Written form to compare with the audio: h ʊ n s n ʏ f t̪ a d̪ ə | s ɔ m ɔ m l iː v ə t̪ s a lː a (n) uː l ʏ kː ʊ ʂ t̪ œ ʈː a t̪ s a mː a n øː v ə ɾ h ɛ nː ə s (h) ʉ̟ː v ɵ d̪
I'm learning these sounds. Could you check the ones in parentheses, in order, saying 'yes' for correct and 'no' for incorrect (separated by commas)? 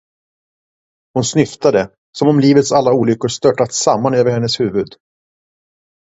no, yes